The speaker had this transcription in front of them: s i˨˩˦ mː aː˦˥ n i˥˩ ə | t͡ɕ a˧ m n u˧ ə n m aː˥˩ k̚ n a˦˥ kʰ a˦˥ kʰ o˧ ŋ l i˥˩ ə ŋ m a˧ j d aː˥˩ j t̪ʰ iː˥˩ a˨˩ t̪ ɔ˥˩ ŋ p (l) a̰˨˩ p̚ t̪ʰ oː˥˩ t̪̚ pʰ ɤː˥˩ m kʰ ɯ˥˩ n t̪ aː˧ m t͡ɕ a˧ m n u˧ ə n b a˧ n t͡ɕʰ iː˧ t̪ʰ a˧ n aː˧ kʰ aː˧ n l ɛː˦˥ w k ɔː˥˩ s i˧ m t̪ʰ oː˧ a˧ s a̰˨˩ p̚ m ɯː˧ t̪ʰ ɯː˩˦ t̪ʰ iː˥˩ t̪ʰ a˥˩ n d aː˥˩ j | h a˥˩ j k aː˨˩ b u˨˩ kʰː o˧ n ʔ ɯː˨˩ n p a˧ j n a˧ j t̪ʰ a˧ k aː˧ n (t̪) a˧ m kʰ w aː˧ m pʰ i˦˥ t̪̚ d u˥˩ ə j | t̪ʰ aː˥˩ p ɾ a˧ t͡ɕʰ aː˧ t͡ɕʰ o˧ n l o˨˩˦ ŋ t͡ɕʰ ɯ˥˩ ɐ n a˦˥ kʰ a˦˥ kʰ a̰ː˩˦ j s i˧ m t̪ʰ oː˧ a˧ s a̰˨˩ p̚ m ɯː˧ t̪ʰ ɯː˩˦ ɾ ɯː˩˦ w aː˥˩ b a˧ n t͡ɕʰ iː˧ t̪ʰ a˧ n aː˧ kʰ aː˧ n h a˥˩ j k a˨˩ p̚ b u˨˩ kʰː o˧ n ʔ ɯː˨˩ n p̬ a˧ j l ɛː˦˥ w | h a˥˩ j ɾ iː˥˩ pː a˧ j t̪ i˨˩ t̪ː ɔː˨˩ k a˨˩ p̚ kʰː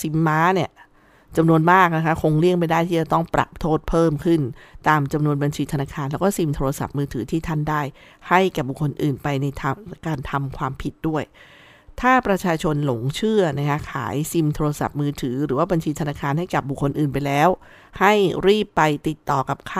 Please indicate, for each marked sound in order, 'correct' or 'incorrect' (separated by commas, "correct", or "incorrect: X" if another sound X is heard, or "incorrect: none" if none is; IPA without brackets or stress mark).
incorrect: ɾ, incorrect: t̪ʰ